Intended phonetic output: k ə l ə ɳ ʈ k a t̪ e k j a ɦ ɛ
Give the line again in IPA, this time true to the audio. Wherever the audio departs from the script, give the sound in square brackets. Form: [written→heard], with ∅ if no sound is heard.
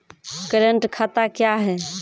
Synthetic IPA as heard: k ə [l→ɾ] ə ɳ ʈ [k→kʰ] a t̪ [e→a] k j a ɦ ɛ